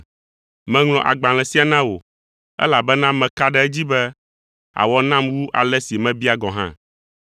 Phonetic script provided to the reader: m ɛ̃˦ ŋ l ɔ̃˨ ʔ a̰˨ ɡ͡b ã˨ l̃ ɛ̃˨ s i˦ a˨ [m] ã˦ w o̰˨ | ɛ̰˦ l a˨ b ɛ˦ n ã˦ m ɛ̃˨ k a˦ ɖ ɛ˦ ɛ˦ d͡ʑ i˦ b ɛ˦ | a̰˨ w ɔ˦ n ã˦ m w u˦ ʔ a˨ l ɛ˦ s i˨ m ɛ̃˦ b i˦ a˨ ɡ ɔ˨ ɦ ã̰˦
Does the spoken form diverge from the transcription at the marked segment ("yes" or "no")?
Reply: yes